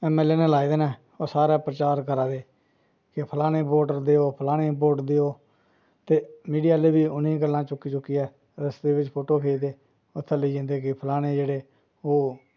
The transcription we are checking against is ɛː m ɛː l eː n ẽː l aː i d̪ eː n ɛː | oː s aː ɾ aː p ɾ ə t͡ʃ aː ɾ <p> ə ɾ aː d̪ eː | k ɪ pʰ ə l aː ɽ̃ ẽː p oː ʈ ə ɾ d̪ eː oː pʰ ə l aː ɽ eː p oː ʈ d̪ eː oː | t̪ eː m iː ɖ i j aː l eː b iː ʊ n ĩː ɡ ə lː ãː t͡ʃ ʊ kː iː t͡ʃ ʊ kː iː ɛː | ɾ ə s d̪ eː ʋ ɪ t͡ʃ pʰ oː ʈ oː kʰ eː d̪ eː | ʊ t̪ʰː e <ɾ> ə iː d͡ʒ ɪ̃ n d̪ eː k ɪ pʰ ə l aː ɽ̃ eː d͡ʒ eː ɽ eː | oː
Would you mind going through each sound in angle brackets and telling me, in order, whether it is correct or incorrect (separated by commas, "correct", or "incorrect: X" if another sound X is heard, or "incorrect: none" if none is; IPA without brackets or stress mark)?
incorrect: k, incorrect: l